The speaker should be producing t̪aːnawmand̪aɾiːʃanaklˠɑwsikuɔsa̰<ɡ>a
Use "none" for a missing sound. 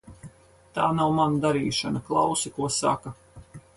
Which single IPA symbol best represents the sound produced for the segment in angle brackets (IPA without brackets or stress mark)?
k